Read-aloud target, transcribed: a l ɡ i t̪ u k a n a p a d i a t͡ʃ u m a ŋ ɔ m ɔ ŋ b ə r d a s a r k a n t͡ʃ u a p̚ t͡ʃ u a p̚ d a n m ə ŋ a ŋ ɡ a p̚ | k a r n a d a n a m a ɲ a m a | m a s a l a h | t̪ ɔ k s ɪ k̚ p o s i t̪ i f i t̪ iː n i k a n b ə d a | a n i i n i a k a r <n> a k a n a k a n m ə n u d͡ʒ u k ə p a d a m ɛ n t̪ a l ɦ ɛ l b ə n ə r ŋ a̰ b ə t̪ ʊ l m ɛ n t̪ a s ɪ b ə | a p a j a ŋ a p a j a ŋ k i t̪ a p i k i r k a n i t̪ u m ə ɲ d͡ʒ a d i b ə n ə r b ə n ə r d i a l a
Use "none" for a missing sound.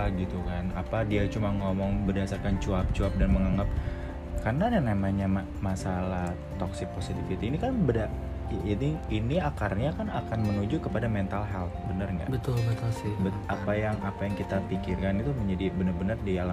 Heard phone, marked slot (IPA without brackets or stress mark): ɲ